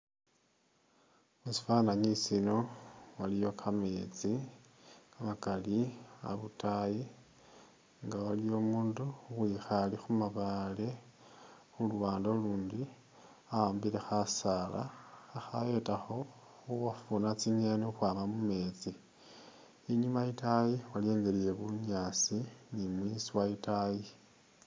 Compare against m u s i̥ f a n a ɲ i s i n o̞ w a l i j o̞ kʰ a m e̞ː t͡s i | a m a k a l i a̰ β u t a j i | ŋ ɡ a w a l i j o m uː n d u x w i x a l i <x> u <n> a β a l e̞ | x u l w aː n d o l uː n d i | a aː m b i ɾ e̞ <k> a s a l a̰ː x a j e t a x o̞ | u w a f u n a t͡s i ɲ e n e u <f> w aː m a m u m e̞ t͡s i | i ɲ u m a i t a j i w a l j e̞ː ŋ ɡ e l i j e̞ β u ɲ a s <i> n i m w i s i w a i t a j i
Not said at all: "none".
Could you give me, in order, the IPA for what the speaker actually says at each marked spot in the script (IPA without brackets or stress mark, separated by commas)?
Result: x, m, x, x, i